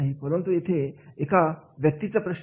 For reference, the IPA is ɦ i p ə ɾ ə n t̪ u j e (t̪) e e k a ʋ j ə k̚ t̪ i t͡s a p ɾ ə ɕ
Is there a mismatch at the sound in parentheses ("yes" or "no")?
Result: yes